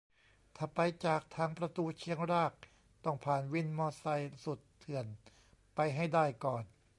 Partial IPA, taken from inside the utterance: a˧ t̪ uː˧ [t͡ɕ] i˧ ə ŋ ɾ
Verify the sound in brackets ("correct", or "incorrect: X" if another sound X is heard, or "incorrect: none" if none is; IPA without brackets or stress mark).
incorrect: t͡ɕʰ